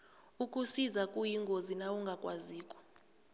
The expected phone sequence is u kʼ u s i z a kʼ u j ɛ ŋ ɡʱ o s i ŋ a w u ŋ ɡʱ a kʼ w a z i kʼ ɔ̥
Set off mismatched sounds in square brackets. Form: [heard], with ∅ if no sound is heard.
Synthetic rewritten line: u kʼ u s i z a kʼ u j [i] ŋ ɡʱ o [z] i [n] a w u ŋ ɡʱ a kʼ w a z [iː] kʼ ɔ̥